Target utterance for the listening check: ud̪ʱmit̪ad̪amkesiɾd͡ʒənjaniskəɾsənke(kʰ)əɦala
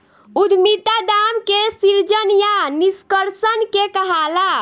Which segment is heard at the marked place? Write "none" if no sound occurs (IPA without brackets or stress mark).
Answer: k